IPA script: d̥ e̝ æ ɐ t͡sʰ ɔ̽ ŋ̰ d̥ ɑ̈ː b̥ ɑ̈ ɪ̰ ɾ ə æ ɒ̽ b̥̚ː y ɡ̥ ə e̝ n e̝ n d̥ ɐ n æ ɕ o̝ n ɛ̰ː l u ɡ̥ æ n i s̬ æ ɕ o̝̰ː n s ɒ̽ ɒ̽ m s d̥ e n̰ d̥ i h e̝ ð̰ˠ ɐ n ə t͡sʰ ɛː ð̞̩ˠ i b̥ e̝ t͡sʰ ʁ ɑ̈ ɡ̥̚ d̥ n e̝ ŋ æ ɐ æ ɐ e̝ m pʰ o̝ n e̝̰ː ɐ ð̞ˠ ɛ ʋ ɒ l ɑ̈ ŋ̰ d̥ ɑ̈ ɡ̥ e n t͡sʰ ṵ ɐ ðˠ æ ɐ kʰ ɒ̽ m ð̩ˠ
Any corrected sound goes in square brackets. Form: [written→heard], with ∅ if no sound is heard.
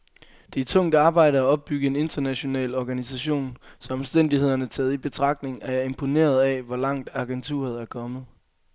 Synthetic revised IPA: d̥ e̝ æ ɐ t͡sʰ ɔ̽ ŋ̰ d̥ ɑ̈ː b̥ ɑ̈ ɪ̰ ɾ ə æ ɒ̽ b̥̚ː y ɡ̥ ə e̝ n e̝ n d̥ ɐ n æ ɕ o̝ n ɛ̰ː l [u→ɒ] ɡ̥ æ n i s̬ æ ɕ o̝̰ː n s ɒ̽ ɒ̽ m s d̥ e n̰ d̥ i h e̝ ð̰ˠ ɐ n ə t͡sʰ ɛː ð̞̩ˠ i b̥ e̝ t͡sʰ ʁ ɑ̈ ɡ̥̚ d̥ n e̝ ŋ æ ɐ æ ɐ e̝ m pʰ o̝ n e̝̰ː ɐ ð̞ˠ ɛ ʋ ɒ l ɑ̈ ŋ̰ d̥ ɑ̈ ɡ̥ e n t͡sʰ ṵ ɐ ðˠ æ ɐ kʰ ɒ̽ m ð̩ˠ